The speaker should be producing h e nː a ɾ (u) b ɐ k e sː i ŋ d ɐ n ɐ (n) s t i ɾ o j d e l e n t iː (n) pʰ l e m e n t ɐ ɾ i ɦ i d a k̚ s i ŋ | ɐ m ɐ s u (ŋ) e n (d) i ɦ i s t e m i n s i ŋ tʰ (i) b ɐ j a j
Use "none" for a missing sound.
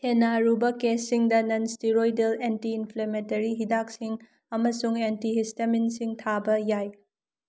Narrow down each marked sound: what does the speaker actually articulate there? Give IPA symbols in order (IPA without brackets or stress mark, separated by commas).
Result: u, n, n, ŋ, t, a